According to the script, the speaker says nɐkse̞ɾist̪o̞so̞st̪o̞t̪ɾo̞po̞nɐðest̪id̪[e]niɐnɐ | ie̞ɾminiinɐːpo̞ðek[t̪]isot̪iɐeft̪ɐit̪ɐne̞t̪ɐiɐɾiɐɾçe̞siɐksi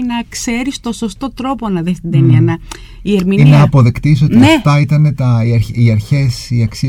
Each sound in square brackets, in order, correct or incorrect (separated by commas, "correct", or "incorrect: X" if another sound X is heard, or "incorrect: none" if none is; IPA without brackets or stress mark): correct, correct